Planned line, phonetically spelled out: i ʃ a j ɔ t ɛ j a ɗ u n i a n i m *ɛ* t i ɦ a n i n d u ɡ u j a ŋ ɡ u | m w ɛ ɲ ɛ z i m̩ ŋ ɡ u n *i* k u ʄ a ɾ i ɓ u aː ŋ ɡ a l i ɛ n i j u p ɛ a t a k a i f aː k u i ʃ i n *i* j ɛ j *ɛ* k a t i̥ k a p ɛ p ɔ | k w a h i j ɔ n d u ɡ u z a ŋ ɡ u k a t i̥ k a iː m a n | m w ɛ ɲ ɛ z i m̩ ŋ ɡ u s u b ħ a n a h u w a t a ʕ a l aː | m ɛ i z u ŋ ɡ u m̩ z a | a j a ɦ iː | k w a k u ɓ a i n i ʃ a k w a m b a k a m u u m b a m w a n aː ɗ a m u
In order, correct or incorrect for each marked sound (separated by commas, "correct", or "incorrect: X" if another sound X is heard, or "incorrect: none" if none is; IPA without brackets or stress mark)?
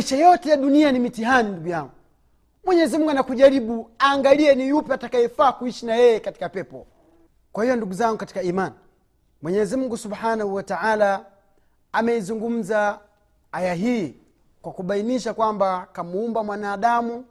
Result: incorrect: i, incorrect: a, incorrect: a, correct